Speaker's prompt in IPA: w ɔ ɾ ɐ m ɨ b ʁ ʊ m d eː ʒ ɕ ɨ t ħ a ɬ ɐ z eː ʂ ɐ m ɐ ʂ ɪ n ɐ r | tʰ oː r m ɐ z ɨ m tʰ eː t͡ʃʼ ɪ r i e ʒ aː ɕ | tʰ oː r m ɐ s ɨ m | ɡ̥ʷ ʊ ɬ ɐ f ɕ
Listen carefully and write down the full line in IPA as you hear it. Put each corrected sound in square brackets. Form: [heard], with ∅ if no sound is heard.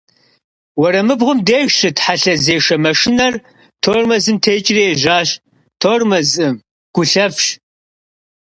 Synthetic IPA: w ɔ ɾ ɐ m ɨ b ʁ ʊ m d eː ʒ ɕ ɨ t ħ a ɬ ɐ z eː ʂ ɐ m ɐ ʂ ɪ n ɐ r | tʰ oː r m ɐ z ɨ m tʰ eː t͡ʃʼ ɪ r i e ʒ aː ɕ | tʰ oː r m ɐ [z] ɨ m | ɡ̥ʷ ʊ ɬ ɐ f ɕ